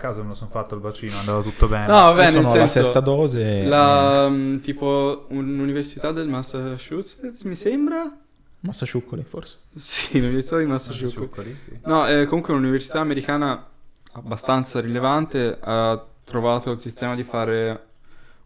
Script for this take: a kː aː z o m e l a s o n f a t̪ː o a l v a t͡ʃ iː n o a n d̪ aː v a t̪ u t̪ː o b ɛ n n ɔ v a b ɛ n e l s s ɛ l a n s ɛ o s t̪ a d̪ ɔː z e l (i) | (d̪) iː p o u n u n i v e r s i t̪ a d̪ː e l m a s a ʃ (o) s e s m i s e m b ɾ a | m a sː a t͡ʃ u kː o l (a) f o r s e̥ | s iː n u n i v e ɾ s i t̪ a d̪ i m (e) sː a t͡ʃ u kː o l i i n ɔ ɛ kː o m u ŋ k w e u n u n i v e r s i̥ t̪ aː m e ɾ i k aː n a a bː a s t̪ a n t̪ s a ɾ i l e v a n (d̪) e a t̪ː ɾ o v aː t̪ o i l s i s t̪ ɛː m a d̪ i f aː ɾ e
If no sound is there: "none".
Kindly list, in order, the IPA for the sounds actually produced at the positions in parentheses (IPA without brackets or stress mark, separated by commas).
a, t̪, u, i, a, t̪